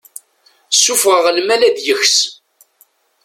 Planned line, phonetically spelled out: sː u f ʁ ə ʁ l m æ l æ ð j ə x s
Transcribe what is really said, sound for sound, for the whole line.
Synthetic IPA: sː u f ʁ ə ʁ l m æ l æ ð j ə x s